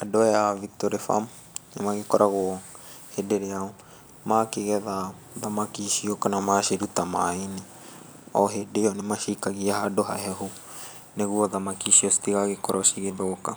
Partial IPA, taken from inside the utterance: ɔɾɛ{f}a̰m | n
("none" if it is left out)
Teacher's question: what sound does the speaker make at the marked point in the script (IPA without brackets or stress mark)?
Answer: f